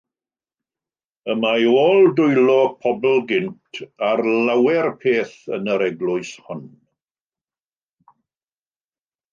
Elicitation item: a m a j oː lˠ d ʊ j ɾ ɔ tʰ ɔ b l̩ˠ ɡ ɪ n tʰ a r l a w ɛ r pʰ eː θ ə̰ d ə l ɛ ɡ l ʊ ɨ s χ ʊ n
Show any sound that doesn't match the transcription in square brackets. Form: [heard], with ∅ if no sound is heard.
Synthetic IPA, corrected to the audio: [ə] m a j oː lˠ d ʊ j [l] ɔ [pʰ] ɔ b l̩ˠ ɡ ɪ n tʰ a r l a w ɛ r pʰ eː θ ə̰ [n] ə [ɾ] ɛ ɡ l ʊ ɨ s [h] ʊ n